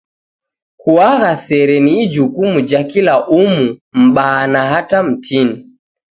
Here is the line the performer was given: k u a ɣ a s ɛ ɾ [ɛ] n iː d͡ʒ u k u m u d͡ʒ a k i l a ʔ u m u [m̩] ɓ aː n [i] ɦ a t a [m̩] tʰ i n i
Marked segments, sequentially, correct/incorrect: correct, correct, incorrect, correct

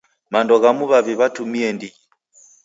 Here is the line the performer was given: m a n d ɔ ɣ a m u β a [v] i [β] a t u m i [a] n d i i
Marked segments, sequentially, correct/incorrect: incorrect, correct, incorrect

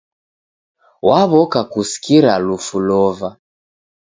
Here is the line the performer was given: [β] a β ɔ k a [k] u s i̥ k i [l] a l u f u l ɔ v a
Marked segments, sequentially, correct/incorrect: incorrect, correct, incorrect

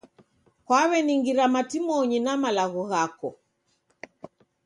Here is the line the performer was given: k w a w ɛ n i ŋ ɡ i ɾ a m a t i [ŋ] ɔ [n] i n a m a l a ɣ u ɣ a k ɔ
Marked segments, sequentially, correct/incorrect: incorrect, incorrect

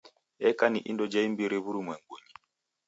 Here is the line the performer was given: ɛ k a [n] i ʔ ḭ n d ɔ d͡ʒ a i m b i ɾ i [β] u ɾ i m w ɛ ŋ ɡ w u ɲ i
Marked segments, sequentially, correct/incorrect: correct, correct

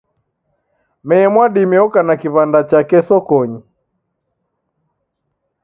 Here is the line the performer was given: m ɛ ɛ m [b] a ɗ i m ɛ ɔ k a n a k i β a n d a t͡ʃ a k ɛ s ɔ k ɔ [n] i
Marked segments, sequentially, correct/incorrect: incorrect, incorrect

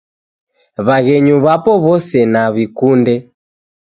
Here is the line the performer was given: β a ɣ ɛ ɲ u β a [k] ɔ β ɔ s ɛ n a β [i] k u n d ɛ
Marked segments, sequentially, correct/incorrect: incorrect, correct

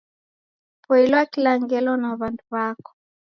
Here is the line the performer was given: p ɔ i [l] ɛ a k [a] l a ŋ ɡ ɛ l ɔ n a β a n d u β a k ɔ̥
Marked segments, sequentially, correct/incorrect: correct, incorrect

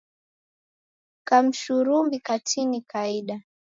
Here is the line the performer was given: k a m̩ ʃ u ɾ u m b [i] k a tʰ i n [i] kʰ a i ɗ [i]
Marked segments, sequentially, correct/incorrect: correct, correct, incorrect

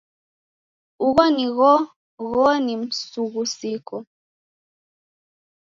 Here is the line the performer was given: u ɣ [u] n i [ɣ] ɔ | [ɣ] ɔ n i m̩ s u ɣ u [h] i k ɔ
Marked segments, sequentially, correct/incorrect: incorrect, correct, correct, incorrect

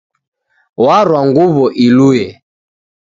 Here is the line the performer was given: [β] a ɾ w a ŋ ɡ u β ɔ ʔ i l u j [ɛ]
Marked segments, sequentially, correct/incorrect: incorrect, correct

